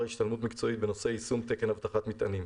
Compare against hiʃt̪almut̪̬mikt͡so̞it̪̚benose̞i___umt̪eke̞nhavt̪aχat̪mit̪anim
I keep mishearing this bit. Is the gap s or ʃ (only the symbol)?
s